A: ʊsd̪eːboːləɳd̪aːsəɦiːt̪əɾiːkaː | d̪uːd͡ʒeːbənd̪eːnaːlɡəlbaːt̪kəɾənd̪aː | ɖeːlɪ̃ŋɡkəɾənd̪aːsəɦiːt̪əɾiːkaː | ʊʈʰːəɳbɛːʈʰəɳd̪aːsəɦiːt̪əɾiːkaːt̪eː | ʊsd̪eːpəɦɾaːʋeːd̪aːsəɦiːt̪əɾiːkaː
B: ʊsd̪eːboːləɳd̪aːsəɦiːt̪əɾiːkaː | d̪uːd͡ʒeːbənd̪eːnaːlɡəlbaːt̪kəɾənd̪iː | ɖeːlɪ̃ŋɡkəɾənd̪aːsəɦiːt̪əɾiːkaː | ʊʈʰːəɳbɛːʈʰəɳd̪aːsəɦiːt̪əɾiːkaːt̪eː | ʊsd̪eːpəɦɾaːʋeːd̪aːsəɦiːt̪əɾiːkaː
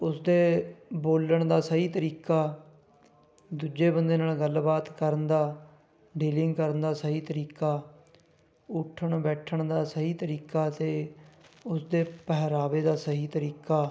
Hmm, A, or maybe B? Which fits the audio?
A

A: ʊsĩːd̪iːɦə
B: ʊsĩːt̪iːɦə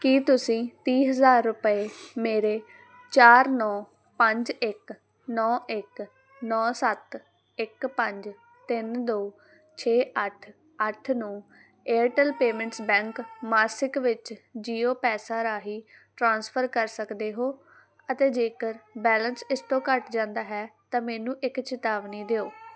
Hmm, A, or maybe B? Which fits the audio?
B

